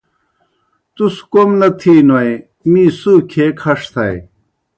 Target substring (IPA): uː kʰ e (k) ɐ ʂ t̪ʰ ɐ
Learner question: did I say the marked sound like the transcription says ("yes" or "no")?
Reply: no